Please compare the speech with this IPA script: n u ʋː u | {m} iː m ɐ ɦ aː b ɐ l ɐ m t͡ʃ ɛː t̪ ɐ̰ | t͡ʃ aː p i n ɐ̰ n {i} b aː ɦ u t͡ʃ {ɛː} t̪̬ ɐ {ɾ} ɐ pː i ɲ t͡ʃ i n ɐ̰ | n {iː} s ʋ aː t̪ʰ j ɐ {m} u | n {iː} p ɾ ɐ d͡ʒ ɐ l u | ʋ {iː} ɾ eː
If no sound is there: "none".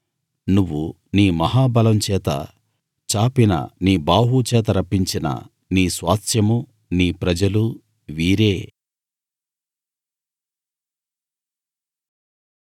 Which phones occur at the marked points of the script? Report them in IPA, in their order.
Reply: n, iː, ɛː, ɾ, iː, m, iː, iː

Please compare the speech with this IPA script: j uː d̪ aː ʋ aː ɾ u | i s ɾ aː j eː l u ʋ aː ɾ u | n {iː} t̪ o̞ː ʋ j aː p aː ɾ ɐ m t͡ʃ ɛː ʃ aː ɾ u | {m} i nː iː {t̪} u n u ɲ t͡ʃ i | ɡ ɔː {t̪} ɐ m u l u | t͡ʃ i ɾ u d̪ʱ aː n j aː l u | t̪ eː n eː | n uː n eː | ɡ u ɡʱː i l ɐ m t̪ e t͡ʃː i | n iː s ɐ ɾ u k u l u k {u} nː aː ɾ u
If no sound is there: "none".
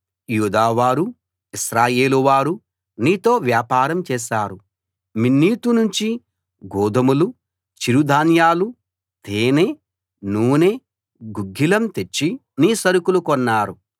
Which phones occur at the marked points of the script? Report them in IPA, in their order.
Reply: iː, m, t̪, d̪, ɔ

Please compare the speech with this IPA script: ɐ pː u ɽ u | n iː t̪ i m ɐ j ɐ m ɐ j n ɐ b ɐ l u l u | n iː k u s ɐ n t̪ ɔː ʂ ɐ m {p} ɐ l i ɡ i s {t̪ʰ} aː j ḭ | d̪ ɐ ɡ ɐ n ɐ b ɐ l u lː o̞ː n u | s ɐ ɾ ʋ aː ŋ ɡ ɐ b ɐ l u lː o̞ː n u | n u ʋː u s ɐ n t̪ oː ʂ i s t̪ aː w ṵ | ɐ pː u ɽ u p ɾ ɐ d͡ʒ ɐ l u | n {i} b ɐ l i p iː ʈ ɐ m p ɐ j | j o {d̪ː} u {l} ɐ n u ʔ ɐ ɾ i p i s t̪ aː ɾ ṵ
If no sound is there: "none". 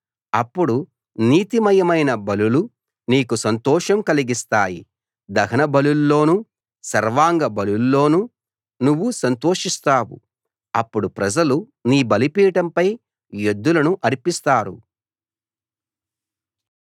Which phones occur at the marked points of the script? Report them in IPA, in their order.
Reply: k, t̪, iː, d̪ː, l

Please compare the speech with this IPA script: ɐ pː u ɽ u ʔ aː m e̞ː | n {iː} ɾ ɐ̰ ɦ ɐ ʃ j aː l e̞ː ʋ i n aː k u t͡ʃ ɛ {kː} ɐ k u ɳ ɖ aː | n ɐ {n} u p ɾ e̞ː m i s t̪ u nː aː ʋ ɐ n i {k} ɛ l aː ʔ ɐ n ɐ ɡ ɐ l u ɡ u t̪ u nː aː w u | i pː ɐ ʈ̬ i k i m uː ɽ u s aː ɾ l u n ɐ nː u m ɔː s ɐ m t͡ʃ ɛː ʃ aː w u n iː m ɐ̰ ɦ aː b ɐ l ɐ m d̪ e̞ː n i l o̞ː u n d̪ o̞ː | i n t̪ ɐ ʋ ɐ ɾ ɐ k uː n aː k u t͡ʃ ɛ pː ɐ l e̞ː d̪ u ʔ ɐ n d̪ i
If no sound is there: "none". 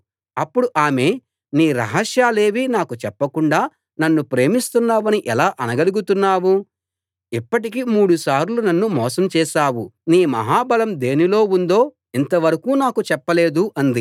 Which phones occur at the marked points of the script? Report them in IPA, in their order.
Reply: iː, pː, nː, ʔ

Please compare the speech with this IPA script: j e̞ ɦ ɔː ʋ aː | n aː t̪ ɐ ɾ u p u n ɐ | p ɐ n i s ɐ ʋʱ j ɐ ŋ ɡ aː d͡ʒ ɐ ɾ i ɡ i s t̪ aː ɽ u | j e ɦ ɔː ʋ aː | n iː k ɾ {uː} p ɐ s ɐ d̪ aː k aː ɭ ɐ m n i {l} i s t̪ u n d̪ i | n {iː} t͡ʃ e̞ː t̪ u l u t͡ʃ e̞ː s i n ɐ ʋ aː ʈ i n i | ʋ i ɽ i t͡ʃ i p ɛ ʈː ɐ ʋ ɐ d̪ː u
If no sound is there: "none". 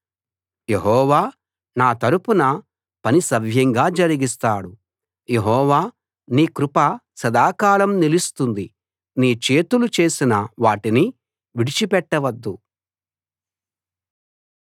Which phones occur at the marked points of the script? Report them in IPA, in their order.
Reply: u, l, iː

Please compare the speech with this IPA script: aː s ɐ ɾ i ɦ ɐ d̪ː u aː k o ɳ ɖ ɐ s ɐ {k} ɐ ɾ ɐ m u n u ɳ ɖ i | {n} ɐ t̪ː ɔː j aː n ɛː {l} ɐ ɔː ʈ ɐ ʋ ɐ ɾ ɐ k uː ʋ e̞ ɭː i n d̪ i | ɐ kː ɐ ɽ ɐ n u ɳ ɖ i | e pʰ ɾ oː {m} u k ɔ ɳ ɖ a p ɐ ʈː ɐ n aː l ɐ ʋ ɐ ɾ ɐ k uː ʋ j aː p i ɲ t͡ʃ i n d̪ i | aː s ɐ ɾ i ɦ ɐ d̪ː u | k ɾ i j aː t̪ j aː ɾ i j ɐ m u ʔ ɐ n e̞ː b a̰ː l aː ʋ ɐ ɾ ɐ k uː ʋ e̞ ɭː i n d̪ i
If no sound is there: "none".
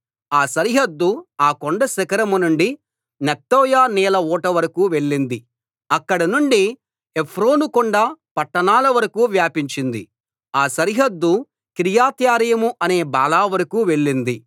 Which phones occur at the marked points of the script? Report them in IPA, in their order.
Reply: k, n, l, n

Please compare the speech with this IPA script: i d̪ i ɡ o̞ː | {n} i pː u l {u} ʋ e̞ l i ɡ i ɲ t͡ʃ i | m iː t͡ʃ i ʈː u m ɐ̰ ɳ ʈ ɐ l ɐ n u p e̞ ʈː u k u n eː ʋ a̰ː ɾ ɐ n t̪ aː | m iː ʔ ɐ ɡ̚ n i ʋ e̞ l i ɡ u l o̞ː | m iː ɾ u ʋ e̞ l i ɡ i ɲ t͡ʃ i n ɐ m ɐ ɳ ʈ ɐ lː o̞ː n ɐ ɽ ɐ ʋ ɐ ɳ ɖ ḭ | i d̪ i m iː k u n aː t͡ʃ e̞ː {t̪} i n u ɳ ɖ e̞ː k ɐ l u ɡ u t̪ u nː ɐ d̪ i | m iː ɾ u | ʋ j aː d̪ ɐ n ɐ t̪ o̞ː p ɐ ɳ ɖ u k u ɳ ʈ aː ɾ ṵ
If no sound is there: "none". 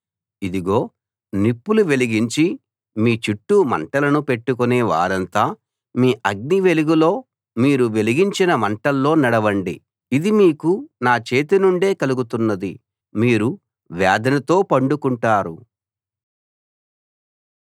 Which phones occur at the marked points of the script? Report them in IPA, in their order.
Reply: n, u, t̪

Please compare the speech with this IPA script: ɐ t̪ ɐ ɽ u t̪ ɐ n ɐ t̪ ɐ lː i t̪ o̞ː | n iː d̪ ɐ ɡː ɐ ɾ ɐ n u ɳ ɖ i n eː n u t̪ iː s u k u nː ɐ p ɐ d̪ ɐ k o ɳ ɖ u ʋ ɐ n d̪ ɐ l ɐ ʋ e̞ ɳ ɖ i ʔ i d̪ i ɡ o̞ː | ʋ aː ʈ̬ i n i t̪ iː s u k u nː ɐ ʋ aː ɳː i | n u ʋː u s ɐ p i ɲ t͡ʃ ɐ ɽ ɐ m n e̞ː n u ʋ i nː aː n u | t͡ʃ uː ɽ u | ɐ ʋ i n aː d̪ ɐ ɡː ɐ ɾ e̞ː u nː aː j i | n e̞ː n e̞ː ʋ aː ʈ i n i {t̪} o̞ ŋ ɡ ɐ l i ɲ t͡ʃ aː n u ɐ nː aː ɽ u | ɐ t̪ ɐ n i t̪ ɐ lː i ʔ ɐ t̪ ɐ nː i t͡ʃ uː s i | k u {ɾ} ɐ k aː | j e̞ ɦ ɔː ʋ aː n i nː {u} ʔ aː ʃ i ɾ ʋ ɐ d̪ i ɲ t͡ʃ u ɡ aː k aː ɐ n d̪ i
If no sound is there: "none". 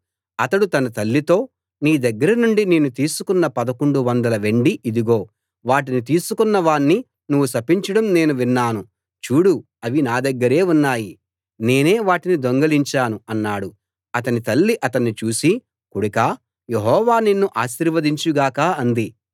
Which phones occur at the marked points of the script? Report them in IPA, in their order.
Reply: d̪, ɽ, u

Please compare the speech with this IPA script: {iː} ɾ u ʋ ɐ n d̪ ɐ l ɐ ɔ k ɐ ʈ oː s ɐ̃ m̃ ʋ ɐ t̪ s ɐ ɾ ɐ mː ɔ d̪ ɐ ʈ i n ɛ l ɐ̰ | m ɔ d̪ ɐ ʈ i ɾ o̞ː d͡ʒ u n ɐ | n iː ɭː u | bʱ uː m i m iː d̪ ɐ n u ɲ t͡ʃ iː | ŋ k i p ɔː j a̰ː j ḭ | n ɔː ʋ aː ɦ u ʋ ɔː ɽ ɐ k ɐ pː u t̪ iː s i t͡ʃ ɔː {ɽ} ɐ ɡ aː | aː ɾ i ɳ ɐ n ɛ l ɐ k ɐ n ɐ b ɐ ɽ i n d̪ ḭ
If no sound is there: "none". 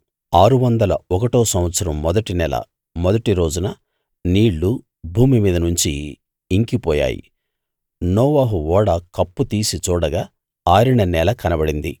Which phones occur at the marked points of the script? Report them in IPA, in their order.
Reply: aː, ɽ

